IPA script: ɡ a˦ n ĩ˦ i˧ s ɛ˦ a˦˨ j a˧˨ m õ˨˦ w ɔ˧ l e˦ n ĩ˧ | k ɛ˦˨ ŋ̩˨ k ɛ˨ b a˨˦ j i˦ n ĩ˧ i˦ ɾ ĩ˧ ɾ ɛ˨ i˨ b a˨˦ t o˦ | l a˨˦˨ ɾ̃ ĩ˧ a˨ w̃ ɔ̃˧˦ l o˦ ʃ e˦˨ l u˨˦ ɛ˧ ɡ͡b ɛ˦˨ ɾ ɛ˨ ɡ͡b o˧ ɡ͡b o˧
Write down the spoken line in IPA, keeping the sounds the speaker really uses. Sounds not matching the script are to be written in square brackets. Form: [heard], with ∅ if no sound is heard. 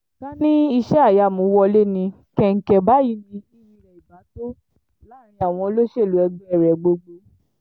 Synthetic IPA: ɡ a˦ n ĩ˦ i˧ [ʃ] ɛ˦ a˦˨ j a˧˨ m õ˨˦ w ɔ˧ l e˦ n ĩ˧ | k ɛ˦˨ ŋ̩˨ k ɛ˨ b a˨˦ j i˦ n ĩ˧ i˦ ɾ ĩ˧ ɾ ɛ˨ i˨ b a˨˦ t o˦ | l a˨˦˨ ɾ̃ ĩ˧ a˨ w̃ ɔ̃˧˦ l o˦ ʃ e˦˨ l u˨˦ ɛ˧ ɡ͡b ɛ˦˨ ɾ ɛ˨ ɡ͡b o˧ ɡ͡b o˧